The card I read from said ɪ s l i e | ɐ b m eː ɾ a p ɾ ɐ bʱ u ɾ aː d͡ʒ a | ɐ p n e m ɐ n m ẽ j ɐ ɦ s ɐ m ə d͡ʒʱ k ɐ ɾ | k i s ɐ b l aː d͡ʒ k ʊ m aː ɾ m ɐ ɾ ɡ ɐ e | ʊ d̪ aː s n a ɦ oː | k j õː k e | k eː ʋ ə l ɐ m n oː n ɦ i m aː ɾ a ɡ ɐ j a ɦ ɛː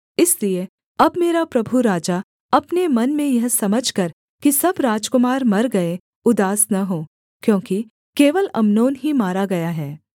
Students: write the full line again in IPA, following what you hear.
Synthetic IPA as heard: ɪ s l i e | ɐ b m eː ɾ a p ɾ ɐ bʱ u ɾ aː d͡ʒ a | ɐ p n e m ɐ n m ẽ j ɐ ɦ s ɐ m ə d͡ʒʱ k ɐ ɾ | k i s ɐ b ɾ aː d͡ʒ k ʊ m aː ɾ m ɐ ɾ ɡ ɐ e | ʊ d̪ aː s n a ɦ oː | k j õː k i | k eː ʋ ə l ɐ m n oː n ɦ i m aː ɾ a ɡ ɐ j a ɦ ɛː